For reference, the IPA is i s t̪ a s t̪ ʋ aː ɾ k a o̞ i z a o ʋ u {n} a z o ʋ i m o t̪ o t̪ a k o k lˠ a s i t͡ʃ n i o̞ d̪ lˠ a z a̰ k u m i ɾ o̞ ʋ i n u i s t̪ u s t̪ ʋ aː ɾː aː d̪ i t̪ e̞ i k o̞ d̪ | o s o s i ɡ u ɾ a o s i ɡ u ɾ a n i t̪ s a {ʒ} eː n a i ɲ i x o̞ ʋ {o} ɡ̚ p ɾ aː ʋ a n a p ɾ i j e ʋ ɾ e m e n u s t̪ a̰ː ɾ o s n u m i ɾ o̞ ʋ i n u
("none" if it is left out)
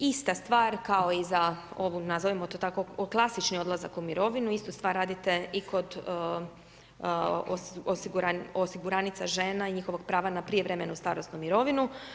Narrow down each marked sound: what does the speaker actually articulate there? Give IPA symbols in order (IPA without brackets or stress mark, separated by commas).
n, ʒ, o